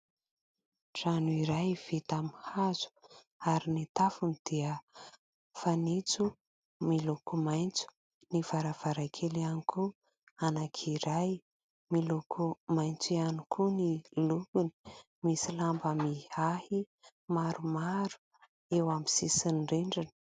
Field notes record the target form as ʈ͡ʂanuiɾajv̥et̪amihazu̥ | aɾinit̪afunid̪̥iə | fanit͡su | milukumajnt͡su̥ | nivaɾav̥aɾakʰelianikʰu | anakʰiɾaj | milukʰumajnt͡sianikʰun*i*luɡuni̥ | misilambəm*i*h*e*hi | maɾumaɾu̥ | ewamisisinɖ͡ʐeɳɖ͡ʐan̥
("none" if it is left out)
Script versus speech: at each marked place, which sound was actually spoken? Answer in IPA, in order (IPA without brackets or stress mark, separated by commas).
i, i, a